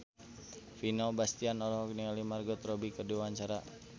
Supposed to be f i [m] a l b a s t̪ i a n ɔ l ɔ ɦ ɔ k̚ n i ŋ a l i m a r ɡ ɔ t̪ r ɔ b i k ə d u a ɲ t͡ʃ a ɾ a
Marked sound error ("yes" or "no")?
yes